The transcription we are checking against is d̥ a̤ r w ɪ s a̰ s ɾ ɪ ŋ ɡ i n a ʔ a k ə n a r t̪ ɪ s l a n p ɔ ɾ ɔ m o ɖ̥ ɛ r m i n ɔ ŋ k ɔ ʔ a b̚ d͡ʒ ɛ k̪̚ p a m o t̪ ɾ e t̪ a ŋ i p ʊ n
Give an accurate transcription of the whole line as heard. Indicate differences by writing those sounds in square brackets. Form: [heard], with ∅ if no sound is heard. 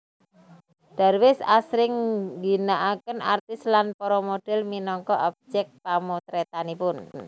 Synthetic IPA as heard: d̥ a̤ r w ɪ s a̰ s ɾ ɪ ŋ ɡ i n a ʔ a k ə n a r t̪ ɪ s l a n p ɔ ɾ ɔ m o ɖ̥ ɛ [l] m i n ɔ ŋ k ɔ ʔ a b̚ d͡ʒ ɛ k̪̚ p a m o t̪ ɾ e t̪ a [n] i p ʊ n